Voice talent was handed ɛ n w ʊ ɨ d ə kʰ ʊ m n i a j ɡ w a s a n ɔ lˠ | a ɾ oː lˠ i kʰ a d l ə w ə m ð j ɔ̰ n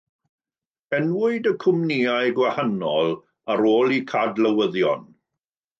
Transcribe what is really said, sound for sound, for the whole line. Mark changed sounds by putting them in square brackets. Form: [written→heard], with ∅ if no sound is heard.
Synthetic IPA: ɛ n w ʊ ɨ d ə kʰ ʊ m n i a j ɡ w a [s→h] a n ɔ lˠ | a ɾ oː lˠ i kʰ a d l ə w ə [m→∅] ð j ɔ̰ n